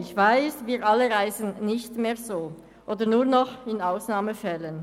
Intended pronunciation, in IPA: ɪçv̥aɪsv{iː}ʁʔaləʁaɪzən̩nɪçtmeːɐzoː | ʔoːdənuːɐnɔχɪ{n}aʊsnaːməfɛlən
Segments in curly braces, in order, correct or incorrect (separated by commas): correct, correct